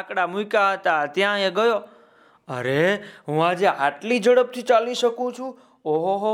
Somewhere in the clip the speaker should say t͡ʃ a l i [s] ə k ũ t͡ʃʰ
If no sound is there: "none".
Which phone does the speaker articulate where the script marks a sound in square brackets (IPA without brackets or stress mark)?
ʃ